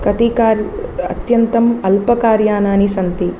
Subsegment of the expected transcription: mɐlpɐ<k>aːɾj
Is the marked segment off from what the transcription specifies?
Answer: no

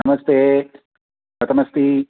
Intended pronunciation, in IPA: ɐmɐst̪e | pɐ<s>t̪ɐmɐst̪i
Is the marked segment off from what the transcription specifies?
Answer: yes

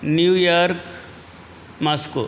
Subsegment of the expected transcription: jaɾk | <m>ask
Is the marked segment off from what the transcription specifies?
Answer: no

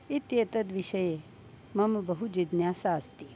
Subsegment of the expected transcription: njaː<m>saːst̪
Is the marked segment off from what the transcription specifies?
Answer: yes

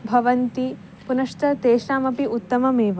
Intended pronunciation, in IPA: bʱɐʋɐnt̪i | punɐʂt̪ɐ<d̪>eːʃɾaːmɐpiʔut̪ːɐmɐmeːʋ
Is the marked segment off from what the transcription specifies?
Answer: yes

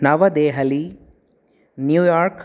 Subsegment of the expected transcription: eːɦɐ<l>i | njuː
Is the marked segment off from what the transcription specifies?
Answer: no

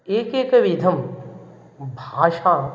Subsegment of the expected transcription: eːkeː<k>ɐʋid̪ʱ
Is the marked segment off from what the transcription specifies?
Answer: no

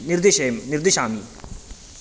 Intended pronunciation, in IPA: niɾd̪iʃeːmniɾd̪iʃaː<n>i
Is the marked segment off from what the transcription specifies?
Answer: yes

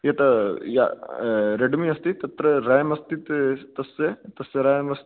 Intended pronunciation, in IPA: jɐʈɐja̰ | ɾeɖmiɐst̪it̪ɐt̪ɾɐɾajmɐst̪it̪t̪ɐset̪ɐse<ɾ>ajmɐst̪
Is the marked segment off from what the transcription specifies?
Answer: no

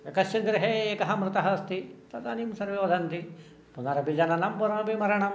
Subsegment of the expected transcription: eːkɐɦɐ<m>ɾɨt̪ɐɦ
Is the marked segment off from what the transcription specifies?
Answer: no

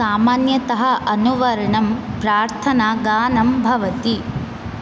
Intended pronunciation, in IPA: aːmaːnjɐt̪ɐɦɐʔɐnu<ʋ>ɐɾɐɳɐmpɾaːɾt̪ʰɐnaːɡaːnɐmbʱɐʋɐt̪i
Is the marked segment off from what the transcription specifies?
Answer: no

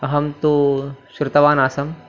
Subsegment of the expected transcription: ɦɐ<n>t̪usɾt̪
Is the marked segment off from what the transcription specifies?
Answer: yes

